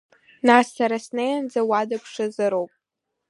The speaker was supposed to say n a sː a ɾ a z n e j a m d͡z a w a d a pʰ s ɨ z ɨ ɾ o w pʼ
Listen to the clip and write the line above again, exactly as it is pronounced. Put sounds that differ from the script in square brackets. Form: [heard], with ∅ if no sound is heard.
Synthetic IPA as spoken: n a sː a ɾ a [s] n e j a [n] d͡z a w a d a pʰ [ʂ] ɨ z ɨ ɾ o w pʼ